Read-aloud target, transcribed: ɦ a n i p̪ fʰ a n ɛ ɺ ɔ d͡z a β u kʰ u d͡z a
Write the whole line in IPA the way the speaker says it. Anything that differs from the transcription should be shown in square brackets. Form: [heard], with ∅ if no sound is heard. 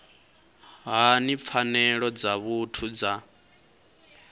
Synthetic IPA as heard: ɦ a n i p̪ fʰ a n ɛ ɺ ɔ d͡z a β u [tʰ] u d͡z a